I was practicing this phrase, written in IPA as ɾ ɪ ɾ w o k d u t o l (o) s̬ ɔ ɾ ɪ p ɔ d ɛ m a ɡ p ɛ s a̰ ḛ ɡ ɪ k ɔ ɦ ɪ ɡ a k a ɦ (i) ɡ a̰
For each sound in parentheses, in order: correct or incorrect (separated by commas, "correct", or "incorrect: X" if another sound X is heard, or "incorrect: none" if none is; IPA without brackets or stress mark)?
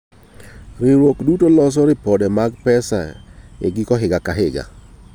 incorrect: ɔ, incorrect: ɪ